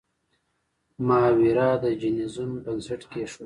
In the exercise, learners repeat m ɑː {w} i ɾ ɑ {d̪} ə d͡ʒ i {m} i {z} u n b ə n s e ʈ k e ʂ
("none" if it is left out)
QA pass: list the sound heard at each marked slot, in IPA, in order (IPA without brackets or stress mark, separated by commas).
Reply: w, d̪, n, z